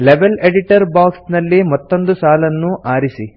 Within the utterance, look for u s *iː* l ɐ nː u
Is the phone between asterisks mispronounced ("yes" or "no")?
yes